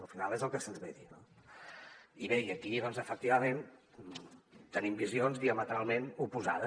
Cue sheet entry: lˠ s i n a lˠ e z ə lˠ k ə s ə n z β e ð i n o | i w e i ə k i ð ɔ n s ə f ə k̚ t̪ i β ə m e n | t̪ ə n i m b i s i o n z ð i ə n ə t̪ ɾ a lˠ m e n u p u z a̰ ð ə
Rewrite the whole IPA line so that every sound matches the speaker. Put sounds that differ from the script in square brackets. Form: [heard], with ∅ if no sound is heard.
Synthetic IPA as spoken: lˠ [f] i n a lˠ e z ə lˠ k ə s ə n z β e ð i n o | i [β] e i ə k i ð ɔ n [z] ə f ə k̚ t̪ i β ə m e n | t̪ ə n i m b i [z] i o n z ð i ə [m] ə t̪ ɾ a lˠ m e n u p u z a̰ ð ə